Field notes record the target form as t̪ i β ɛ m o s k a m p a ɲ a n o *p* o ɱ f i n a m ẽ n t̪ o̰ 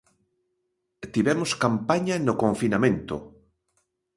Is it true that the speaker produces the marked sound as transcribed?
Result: no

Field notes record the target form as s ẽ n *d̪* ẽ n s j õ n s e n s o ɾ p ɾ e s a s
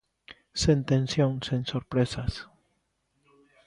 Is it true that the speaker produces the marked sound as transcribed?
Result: no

